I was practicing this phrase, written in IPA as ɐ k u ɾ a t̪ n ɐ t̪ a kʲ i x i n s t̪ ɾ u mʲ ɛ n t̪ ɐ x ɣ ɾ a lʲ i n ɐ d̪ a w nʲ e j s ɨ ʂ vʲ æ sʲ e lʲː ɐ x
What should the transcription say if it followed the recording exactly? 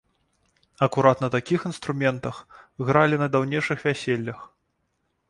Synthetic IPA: ɐ k u ɾ a t̪ n ɐ t̪ a kʲ i x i n s t̪ ɾ u mʲ ɛ n t̪ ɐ x ɣ ɾ a lʲ i n ɐ d̪ a w nʲ e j ʂ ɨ x vʲ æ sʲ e lʲː ɐ x